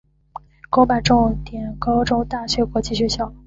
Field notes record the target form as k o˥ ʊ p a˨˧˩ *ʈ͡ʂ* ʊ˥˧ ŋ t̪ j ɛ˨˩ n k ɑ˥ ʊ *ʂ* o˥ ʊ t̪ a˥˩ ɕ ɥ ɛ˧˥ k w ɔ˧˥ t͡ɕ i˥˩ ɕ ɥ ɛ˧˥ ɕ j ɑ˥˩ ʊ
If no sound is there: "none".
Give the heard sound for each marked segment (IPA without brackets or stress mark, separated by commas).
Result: ʈ͡ʂ, ʈ͡ʂ